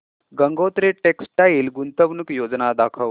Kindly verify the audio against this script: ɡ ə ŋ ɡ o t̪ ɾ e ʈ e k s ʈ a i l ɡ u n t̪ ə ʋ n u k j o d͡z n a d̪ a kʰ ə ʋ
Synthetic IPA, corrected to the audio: ɡ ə ŋ ɡ o t̪ ɾ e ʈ e k s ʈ a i l ɡ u n t̪ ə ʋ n u k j o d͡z n a d̪ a kʰ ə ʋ